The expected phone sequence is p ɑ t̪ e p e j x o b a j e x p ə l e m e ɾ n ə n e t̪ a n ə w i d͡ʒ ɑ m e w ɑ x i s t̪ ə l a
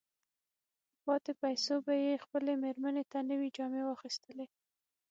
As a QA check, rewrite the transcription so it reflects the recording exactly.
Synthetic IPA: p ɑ t̪ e p a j s o b a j e x p ə l e m e ɾ m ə n e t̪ a n ə w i d͡ʒ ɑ m e w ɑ x i s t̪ ə l e